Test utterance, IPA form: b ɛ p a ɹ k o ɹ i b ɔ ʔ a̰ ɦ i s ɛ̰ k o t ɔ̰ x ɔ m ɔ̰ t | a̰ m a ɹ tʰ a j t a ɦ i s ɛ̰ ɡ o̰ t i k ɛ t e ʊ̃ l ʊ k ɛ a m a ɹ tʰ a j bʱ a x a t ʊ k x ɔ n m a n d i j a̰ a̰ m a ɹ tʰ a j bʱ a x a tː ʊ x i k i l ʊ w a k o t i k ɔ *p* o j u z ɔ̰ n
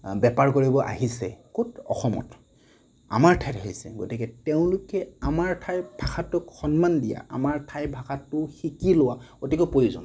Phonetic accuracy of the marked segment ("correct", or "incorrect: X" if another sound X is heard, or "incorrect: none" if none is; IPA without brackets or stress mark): correct